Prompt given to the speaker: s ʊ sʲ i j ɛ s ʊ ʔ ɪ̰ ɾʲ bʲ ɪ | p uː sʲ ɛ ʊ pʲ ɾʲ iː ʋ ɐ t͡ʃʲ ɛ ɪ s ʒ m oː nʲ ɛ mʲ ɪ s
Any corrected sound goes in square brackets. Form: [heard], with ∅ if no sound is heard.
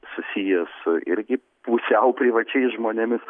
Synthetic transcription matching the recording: s ʊ sʲ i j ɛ s ʊ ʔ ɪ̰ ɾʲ [ɡʲ] ɪ | p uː sʲ ɛ ʊ pʲ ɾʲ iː ʋ ɐ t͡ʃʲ ɛ ɪ s ʒ m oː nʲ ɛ mʲ ɪ s